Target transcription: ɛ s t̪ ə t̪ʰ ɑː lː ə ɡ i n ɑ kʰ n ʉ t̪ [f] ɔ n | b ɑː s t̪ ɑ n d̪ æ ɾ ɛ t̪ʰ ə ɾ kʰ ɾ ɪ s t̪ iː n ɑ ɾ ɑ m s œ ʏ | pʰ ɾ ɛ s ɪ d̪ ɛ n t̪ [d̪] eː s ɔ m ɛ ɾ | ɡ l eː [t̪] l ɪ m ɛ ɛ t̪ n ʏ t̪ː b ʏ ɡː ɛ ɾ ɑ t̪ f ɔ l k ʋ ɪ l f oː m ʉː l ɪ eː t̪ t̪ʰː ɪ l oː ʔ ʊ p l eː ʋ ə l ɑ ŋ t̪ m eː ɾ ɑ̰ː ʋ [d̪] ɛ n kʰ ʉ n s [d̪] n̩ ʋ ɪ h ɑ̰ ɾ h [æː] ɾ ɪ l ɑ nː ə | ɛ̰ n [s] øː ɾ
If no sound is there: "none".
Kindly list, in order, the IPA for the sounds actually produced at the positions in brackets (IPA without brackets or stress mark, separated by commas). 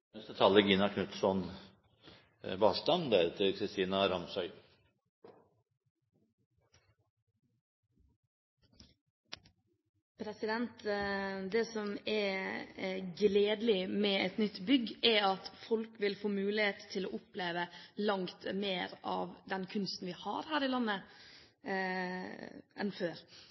s, d̪, d̪, d̪, t̪, æː, f